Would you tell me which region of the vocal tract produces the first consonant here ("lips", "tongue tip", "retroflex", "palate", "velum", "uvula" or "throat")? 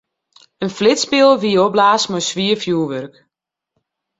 tongue tip